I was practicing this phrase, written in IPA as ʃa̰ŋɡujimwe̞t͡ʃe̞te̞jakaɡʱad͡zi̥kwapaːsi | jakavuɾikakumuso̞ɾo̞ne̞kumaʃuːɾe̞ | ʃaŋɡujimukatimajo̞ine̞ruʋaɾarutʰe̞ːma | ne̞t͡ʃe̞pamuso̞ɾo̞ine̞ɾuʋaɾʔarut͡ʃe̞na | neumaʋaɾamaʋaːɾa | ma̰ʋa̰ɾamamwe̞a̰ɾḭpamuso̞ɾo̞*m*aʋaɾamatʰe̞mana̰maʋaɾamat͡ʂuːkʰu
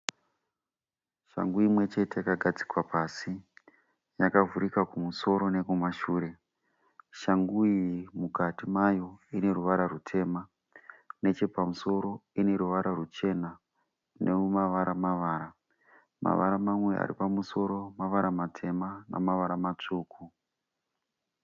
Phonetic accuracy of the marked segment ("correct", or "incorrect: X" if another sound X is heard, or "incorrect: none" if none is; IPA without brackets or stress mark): correct